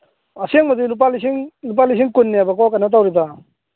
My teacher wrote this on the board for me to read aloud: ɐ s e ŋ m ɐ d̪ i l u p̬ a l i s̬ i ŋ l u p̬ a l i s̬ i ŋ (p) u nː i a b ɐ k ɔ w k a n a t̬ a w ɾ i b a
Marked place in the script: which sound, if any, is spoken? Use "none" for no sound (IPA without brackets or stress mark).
k